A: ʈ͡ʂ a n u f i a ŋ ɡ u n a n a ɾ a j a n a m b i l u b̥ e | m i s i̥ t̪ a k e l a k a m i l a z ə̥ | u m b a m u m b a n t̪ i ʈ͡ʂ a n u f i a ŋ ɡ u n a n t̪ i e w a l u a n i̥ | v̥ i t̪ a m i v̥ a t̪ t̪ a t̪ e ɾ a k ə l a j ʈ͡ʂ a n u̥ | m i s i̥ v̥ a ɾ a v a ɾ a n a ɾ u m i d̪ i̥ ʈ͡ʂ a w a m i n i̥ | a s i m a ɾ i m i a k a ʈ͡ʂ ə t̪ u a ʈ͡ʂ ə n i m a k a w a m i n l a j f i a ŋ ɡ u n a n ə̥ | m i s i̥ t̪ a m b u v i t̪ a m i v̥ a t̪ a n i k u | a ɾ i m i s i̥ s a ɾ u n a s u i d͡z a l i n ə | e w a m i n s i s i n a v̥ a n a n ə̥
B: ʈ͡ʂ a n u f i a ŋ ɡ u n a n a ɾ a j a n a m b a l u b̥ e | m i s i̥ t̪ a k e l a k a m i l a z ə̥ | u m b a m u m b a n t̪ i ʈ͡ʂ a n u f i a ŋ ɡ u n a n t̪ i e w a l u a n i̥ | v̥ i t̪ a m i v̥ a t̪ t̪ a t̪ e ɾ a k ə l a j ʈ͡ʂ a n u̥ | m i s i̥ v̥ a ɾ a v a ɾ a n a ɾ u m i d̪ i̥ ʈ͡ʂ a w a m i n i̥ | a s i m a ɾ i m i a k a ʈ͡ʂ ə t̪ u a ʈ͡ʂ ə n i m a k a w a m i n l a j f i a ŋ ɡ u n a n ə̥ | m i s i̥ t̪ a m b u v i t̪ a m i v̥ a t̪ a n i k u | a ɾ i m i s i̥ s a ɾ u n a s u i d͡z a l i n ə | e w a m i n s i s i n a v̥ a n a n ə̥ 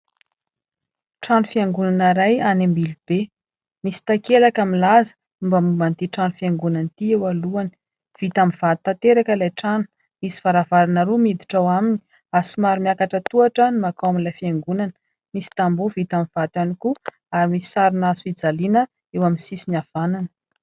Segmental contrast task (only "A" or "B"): A